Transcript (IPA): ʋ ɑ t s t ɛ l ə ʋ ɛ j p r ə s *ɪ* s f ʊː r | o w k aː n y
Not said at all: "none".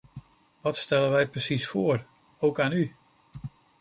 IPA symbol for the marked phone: i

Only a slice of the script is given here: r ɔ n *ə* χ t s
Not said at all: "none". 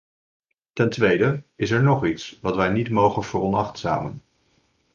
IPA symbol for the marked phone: ɑ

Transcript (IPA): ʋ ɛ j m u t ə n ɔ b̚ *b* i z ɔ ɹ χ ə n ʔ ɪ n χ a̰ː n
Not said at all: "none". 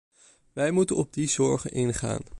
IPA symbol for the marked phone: d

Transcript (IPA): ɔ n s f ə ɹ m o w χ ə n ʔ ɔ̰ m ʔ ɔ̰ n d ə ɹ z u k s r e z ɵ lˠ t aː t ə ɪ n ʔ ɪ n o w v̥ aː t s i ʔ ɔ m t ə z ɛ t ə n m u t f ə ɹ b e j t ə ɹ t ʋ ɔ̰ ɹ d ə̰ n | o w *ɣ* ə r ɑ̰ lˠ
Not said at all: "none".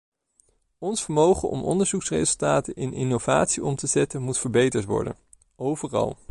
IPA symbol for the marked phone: v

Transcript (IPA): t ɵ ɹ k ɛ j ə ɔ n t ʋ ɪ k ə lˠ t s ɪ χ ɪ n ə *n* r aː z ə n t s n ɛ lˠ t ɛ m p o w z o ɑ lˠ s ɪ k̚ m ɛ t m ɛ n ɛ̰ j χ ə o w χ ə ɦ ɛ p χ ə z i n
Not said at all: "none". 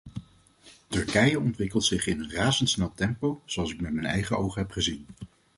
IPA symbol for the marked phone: n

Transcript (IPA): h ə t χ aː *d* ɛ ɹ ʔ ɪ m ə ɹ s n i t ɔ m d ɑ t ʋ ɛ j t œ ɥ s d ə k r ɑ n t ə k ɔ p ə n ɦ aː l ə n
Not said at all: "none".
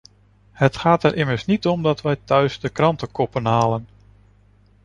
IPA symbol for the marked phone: t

